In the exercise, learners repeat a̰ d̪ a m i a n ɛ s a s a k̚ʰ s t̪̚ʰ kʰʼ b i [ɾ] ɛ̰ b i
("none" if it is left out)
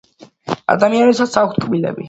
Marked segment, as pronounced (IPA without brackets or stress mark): l